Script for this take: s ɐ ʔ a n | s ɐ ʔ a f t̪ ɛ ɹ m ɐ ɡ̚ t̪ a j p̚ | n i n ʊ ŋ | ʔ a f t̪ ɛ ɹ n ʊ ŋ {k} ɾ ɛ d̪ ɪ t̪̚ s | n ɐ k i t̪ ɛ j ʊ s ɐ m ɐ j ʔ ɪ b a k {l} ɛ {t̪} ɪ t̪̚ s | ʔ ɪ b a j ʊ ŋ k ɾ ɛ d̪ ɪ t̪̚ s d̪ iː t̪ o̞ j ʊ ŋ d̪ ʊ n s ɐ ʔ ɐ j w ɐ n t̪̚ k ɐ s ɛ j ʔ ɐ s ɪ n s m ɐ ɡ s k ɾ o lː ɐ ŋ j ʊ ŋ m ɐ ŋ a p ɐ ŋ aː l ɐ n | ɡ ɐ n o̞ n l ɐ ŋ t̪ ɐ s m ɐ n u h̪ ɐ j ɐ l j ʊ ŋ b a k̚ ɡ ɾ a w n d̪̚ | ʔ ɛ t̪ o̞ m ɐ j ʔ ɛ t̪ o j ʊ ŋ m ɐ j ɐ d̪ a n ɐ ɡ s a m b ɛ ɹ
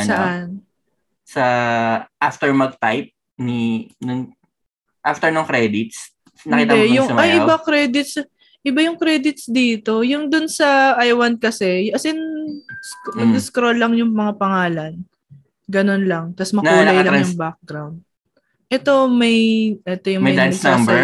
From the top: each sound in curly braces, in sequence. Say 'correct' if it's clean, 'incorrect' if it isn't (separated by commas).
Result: correct, incorrect, incorrect